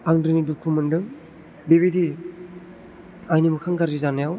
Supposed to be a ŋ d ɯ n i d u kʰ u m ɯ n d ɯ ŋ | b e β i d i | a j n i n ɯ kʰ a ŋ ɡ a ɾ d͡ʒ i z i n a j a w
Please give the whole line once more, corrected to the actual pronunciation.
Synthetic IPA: a ŋ d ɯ n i d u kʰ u m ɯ n d ɯ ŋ | b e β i d i | a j n i m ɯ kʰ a ŋ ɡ a ɾ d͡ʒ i z a n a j a w